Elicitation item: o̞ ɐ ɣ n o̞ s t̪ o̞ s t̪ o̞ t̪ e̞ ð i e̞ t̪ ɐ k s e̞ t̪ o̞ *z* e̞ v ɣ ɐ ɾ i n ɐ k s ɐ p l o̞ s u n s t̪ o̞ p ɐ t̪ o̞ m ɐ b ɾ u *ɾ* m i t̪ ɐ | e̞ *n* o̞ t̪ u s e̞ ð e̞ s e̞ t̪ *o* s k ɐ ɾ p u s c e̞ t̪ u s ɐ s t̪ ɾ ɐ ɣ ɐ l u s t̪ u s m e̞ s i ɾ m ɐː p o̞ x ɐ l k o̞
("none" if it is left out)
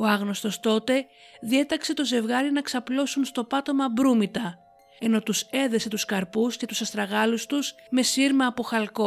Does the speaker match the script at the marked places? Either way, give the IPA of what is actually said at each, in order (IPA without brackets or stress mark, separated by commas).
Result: z, none, n, u